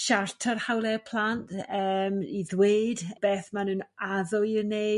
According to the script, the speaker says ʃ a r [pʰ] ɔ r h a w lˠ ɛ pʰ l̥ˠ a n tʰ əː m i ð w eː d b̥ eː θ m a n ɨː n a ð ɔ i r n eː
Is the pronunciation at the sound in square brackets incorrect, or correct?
incorrect: tʰ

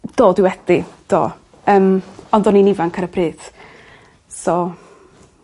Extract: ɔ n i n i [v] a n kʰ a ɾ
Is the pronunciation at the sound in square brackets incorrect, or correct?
correct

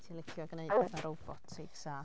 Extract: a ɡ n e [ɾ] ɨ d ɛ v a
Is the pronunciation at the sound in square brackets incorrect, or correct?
incorrect: none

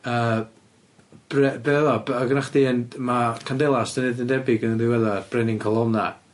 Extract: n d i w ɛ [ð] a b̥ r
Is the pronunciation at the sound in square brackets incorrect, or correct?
correct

